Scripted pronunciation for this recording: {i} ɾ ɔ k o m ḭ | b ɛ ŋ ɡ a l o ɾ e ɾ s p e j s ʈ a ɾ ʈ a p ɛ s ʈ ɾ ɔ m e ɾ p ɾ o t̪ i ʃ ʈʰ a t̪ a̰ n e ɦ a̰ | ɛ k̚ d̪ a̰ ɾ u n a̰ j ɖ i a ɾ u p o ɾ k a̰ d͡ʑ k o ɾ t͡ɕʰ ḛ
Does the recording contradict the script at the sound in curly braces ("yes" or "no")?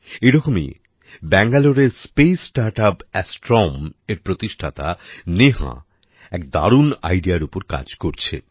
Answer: yes